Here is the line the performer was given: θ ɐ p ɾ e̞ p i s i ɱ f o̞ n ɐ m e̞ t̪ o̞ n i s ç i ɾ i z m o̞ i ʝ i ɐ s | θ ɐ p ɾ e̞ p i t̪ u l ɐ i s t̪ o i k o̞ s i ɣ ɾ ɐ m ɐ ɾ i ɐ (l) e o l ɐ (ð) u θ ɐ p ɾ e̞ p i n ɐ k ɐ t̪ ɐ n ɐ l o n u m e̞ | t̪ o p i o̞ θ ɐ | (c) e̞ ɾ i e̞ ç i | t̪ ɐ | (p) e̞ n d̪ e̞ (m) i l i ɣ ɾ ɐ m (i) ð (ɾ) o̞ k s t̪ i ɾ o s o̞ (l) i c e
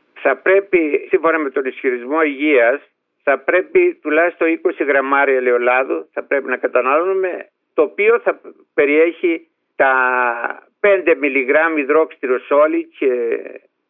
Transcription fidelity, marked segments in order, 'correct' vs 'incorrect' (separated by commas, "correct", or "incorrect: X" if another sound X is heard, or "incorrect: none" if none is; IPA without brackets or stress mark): correct, correct, incorrect: p, correct, correct, correct, correct, correct